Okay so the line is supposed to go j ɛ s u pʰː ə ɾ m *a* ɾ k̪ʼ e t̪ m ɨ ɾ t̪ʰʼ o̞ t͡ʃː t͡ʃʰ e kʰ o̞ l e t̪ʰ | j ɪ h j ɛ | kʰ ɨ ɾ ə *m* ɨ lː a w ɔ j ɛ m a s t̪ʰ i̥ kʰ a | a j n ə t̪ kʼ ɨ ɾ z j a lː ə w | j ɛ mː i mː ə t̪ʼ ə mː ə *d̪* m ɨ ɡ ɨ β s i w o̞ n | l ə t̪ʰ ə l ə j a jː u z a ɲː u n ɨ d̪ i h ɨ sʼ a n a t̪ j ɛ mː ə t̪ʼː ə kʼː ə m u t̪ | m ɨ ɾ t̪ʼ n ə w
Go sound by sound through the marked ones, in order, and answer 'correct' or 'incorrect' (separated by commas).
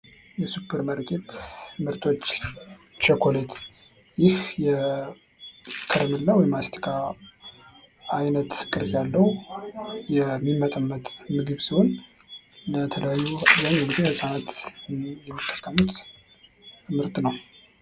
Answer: incorrect, correct, incorrect